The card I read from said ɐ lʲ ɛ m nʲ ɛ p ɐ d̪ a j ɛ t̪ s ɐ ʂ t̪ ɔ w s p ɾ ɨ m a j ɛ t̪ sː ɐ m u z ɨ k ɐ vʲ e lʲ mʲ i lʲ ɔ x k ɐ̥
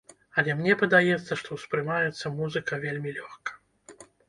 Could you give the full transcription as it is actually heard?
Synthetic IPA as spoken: ɐ lʲ ɛ m nʲ ɛ p ɐ d̪ a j ɛ t̪ sː ɐ ʂ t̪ ɔ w s p ɾ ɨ m a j ɛ t̪ sː ɐ m u z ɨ k ɐ vʲ e lʲ mʲ i lʲ ɔ x k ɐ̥